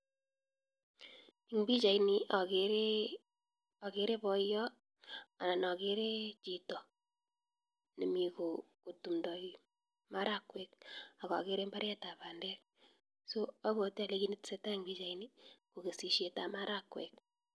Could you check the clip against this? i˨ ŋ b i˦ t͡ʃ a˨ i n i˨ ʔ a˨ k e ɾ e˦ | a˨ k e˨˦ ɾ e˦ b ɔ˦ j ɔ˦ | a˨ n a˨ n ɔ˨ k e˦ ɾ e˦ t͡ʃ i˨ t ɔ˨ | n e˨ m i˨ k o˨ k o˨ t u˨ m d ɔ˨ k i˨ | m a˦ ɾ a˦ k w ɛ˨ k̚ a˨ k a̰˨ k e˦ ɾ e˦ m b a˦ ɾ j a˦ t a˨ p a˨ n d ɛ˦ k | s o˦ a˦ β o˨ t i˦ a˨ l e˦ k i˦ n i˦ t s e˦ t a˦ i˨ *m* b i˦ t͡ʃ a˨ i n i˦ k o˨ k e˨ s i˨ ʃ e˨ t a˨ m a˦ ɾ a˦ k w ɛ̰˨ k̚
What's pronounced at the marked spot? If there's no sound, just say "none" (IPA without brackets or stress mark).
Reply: ŋ